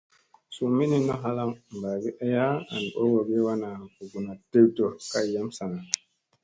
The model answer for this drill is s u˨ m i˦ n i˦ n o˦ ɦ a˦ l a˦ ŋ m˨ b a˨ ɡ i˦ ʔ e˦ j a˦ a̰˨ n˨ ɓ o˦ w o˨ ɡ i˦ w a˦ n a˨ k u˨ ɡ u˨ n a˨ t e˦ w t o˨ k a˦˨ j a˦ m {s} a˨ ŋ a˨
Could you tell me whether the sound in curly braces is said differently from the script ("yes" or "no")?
no